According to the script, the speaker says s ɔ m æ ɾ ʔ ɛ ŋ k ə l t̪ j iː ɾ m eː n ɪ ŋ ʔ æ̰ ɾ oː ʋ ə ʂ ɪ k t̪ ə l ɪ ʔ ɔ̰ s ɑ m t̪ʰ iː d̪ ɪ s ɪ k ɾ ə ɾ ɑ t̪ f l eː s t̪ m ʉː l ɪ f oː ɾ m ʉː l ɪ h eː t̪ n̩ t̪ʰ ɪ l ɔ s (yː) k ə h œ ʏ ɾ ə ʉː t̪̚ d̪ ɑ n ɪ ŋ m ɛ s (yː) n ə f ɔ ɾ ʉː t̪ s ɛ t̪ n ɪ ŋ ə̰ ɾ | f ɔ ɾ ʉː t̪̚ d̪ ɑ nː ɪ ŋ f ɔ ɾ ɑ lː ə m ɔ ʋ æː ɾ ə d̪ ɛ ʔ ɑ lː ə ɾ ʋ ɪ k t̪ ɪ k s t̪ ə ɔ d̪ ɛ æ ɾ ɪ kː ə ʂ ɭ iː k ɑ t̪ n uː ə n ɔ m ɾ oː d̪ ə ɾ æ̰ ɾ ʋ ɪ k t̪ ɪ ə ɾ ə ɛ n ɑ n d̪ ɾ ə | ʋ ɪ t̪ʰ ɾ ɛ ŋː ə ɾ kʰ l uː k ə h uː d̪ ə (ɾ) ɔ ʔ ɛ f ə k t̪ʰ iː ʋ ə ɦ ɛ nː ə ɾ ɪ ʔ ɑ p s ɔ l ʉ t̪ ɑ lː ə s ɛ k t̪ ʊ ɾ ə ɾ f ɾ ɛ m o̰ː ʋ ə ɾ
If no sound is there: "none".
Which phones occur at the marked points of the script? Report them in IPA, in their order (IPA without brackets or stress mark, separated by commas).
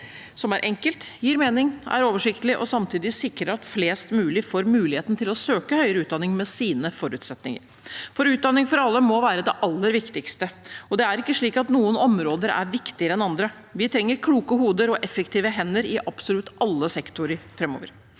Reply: øː, iː, ɾ